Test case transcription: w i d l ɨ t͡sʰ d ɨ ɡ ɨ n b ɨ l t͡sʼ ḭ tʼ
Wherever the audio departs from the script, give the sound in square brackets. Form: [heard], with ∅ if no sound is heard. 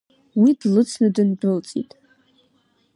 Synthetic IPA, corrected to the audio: w i d l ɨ t͡sʰ [n] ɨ [d] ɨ n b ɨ l t͡sʼ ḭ tʼ